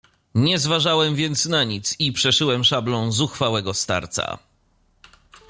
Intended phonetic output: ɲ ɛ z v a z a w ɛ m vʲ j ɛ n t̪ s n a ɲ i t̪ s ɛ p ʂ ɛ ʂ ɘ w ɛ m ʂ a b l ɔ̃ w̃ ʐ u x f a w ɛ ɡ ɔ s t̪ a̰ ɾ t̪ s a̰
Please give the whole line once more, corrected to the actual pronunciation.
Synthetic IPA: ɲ ɛ z v a ʐ a w ɛ m vʲ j ɛ n t̪ s n a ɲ i t̪ s i p ʂ ɛ ʂ ɘ w ɛ m ʂ a b l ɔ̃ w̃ z u x f a w ɛ ɡ ɔ s t̪ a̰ ɾ t̪ s a̰